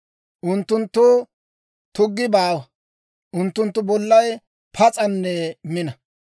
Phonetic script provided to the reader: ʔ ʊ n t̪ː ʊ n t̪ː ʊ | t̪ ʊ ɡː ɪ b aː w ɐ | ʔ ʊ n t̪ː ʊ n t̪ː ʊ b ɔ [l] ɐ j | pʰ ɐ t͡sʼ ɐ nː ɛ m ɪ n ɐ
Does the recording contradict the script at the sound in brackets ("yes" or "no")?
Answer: yes